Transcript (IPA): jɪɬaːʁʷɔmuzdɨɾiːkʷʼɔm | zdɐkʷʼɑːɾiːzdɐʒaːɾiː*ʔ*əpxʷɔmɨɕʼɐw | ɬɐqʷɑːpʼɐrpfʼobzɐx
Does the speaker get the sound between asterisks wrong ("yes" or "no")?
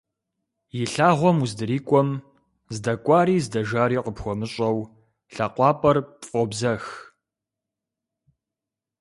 yes